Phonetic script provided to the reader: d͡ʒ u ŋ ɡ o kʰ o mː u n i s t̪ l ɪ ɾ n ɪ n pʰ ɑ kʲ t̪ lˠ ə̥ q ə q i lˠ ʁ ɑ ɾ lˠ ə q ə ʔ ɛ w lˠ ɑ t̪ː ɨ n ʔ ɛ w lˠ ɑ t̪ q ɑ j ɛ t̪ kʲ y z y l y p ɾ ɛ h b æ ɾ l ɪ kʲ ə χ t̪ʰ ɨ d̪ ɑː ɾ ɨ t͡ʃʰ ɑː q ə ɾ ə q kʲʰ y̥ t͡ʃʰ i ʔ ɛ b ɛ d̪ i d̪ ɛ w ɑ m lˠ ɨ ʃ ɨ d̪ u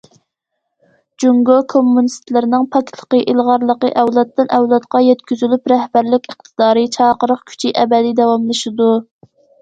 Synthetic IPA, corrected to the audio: d͡ʒ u ŋ ɡ o kʰ o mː u n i s t̪ l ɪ ɾ n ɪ ŋ pʰ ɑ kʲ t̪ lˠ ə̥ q ə ʔ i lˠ ʁ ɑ ɾ lˠ ə q ə ʔ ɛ w lˠ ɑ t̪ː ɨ n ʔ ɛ w lˠ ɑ t̪ q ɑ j ɛ t̪ kʲ y z y l y p ɾ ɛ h b æ ɾ l ɪ kʲ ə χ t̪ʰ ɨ d̪ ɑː ɾ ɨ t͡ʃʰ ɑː q ə ɾ ə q kʲʰ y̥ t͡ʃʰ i ʔ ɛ b ɛ d̪ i d̪ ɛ w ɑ m lˠ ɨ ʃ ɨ d̪ u